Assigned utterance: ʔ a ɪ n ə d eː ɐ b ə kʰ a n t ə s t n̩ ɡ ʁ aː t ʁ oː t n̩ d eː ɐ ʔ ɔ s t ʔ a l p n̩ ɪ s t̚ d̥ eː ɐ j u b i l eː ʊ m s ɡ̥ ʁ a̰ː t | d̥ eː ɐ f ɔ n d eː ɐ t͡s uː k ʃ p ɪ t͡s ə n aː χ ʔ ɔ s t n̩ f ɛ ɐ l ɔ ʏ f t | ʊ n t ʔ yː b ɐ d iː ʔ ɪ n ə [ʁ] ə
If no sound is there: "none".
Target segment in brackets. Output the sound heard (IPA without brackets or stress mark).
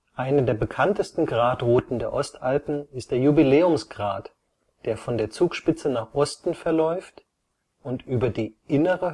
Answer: ʁ